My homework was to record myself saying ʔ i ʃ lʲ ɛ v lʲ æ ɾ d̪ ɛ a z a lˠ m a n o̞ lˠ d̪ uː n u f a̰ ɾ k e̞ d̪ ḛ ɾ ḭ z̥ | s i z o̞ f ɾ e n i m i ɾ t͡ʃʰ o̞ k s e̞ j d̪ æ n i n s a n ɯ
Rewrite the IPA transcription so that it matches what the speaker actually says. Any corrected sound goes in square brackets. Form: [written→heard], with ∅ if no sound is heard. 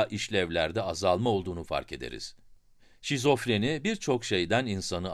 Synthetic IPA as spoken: ʔ i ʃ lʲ ɛ v lʲ æ ɾ d̪ ɛ a z a lˠ m a [n→∅] o̞ lˠ d̪ uː n u f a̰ ɾ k e̞ d̪ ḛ ɾ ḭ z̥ | [s→ʃ] i z o̞ f ɾ e n i [m→b] i ɾ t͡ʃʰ o̞ k [s→ʃ] e̞ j d̪ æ n i n s a n ɯ